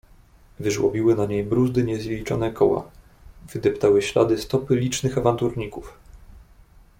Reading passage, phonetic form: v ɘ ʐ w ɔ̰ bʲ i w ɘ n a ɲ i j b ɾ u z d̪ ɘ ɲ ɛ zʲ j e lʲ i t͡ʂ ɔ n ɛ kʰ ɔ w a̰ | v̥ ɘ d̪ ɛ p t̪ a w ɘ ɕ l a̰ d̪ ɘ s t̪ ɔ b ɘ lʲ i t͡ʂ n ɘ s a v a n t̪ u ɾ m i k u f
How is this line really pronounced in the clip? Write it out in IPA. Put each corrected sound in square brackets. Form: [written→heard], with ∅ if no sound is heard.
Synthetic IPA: v ɘ ʐ w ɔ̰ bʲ i w ɘ n a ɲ [i→e] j b ɾ u z d̪ ɘ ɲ ɛ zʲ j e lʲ i t͡ʂ ɔ n ɛ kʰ ɔ w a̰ | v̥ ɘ d̪ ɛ p t̪ a w ɘ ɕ l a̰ d̪ ɘ s t̪ ɔ [b→p] ɘ lʲ i t͡ʂ n ɘ [s→x] a v a n t̪ u ɾ [m→ɲ] i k u f